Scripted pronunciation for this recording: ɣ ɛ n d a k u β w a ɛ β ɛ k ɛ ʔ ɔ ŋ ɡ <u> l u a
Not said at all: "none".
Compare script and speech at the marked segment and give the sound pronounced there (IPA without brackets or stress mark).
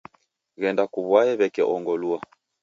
ɔ